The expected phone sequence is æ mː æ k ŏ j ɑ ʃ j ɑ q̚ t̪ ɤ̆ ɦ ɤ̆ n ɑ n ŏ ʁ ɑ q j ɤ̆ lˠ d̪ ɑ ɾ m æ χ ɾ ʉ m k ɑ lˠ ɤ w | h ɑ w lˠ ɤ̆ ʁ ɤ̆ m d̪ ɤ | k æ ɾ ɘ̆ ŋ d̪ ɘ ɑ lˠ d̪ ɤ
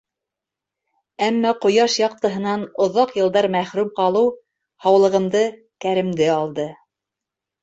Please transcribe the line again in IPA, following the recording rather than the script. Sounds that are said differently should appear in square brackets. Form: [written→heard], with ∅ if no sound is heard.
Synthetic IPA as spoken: æ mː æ [k→q] ŏ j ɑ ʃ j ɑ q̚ t̪ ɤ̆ ɦ ɤ̆ n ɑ n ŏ [ʁ→ð] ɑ q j ɤ̆ lˠ d̪ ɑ ɾ m æ χ ɾ ʉ m [k→q] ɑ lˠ ɤ w | h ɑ w lˠ ɤ̆ ʁ ɤ̆ m d̪ ɤ | k æ ɾ ɘ̆ [ŋ→m] d̪ ɘ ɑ lˠ d̪ ɤ